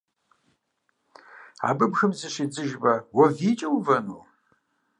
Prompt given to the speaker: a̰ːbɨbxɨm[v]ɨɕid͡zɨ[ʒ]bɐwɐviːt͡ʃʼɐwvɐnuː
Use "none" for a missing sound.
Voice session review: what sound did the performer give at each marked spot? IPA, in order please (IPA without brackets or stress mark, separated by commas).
z, ʒ